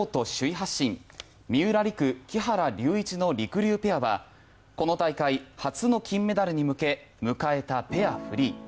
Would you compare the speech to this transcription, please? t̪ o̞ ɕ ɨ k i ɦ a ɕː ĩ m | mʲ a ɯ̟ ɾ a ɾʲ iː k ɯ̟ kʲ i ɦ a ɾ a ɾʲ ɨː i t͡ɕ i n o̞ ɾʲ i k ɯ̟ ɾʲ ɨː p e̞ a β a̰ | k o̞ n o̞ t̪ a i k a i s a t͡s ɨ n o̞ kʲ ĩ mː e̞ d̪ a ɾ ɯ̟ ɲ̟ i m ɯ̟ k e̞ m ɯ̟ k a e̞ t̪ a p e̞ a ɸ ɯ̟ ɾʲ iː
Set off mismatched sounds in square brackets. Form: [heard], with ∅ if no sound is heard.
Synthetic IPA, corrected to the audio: t̪ o̞ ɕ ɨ [∅] i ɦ a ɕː ĩ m | mʲ [i] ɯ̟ ɾ a ɾʲ [i] k ɯ̟ kʲ i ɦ a ɾ a ɾʲ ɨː i t͡ɕ i n o̞ ɾʲ i k ɯ̟ ɾʲ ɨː p e̞ a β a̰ | k o̞ n o̞ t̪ a i k a i [h] a t͡s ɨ n o̞ kʲ ĩ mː e̞ d̪ a ɾ ɯ̟ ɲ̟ i m ɯ̟ k e̞ m ɯ̟ k a e̞ t̪ a p e̞ a ɸ ɯ̟ ɾʲ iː